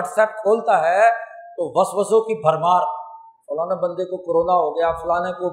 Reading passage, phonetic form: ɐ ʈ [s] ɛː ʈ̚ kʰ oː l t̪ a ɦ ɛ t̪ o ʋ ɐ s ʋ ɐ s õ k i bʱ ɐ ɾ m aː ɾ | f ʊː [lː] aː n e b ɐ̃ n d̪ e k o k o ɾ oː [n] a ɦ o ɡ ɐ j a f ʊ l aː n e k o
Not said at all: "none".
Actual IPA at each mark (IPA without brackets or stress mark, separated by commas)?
s, l, n